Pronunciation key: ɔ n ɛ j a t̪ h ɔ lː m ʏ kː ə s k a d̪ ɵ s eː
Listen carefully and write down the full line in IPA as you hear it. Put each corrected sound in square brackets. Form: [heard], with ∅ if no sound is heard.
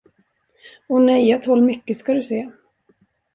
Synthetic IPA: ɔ n ɛ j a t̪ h ɔ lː m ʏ kː ə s k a d̪ ɵ s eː